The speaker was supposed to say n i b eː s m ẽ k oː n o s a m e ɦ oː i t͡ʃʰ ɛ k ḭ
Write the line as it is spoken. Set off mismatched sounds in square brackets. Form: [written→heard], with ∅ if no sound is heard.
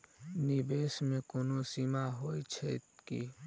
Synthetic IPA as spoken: n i b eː s m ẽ k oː n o s [a→i] m [e→a] ɦ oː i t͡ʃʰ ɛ k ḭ